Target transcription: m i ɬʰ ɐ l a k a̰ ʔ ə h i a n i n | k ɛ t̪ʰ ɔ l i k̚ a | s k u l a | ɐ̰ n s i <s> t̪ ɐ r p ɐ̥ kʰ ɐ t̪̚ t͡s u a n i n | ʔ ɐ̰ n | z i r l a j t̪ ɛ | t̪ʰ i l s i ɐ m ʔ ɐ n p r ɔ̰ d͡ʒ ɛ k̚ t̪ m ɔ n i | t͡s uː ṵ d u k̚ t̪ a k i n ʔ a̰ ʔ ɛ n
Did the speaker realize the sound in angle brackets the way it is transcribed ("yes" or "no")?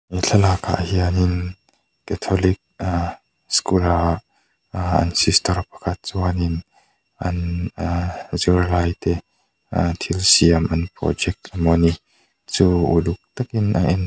yes